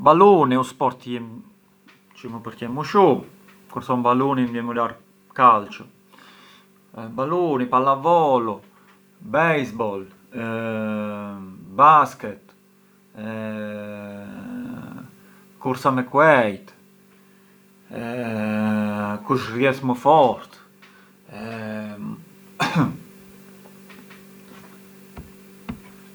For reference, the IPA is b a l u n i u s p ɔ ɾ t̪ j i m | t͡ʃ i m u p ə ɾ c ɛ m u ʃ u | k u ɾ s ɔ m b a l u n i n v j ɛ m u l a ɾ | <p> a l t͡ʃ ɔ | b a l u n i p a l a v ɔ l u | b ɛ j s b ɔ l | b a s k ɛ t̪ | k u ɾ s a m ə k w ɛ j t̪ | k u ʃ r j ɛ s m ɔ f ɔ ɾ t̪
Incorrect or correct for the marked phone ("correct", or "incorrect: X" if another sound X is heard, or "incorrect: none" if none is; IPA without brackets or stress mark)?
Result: incorrect: k